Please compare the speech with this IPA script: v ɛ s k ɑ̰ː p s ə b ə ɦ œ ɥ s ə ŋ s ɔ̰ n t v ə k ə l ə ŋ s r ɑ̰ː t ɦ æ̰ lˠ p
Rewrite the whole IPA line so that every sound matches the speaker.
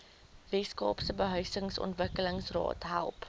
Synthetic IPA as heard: v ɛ s k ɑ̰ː p s ə b ə ɦ œ ɥ s ə ŋ s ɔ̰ n t v ə k ə l ə ŋ s r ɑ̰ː t ɦ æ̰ lˠ p